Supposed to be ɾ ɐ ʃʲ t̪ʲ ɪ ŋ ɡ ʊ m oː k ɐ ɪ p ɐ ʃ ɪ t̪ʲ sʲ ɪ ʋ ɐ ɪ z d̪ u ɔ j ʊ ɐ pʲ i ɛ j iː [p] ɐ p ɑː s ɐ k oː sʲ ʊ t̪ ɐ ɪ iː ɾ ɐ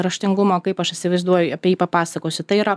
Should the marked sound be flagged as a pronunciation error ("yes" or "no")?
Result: no